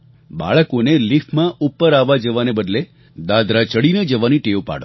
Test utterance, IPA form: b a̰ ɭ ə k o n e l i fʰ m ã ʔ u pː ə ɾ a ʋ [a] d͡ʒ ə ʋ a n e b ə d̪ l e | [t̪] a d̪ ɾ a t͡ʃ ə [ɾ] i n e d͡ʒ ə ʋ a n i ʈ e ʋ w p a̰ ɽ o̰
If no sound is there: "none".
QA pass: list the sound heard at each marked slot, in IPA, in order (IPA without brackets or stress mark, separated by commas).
a, d̪, ɽ